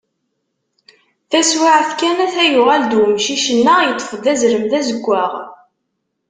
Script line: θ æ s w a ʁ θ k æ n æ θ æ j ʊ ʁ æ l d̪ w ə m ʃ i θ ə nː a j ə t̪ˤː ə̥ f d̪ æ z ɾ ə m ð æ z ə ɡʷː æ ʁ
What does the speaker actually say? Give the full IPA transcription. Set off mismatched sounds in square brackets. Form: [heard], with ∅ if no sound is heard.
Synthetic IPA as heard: θ æ s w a [ʕ] θ k æ n æ θ æ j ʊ ʁ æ l d̪ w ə m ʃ i [ʃ] ə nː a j ə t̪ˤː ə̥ f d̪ æ z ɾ ə m ð æ z ə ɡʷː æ ʁ

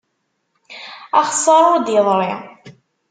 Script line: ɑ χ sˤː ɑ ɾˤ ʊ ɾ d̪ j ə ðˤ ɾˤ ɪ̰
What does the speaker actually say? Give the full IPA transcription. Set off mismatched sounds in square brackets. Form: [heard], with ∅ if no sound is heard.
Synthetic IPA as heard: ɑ χ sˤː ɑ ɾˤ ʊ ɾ d̪ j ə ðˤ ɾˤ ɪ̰

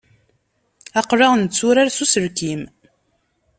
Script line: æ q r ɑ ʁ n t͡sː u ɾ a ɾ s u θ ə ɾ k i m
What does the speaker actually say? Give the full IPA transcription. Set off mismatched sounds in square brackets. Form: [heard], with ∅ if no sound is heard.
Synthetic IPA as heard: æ q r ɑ ʁ n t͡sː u ɾ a ɾ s u [s] ə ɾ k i m

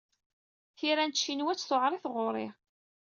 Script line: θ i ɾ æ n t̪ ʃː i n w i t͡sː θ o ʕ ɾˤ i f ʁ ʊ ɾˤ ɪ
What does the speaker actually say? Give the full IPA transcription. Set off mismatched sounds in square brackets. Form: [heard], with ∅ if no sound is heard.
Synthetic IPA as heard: θ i ɾ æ n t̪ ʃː i n w [æ] t͡sː θ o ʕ ɾˤ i [θ] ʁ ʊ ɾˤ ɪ

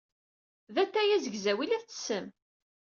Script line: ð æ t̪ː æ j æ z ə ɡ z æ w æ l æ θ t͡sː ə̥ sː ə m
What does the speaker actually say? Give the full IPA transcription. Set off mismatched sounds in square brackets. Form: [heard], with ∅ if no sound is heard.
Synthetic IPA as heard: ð æ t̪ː æ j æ z ə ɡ z æ w [i] l æ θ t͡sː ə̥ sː ə m

